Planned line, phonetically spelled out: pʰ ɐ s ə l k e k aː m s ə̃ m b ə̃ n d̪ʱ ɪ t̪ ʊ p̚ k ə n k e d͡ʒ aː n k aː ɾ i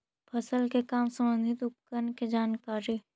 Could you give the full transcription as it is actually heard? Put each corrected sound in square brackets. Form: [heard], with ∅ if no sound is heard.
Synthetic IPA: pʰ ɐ s ə l k e k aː m s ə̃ m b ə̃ n d̪ʱ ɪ t̪ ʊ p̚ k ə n k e d͡ʒ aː n k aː ɾ i